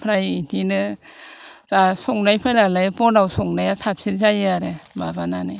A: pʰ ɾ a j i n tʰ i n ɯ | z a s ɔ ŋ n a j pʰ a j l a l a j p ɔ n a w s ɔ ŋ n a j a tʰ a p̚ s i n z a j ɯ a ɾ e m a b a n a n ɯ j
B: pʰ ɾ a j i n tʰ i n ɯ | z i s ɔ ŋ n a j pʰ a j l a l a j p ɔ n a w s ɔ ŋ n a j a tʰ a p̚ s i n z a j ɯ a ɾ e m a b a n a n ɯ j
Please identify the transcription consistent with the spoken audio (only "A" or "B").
A